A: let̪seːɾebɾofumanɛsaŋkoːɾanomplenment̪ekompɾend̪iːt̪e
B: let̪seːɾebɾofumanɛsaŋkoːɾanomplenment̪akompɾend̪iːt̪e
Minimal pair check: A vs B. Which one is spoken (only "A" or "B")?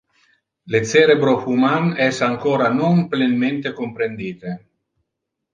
A